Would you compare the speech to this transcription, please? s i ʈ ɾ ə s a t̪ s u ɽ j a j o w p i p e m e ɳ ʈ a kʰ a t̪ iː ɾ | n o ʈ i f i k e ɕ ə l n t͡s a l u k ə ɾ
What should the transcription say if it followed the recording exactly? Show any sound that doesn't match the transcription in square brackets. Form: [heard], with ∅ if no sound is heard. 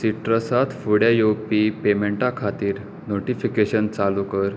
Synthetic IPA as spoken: s i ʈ ɾ ə s a t̪ [f] u ɽ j a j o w p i p e m e ɳ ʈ a kʰ a t̪ iː ɾ | n o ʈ i f i k e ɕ ə [∅] n t͡s a l u k ə ɾ